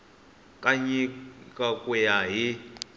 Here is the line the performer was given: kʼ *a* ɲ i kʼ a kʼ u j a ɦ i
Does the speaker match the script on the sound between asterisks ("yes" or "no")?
yes